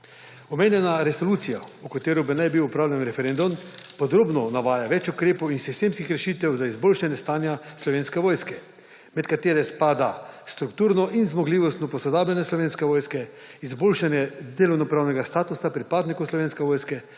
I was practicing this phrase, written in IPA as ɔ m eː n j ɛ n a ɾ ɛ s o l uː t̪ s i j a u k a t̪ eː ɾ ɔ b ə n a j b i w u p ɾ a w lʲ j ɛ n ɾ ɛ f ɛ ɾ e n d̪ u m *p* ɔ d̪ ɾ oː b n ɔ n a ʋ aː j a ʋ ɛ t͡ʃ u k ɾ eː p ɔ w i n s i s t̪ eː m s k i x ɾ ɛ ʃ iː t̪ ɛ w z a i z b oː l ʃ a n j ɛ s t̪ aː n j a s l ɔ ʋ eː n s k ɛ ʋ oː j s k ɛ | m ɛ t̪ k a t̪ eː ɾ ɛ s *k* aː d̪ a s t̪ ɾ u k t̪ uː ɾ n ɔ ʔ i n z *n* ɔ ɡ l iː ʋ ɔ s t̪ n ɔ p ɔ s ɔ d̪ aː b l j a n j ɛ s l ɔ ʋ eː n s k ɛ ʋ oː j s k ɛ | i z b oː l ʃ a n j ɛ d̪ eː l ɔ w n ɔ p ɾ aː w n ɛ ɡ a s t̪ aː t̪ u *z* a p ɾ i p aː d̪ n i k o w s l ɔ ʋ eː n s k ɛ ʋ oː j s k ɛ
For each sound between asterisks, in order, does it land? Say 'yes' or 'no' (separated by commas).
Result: yes, no, no, no